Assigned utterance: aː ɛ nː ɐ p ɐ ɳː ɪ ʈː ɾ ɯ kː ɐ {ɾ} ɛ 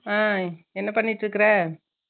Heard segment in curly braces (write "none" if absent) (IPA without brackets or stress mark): ɾ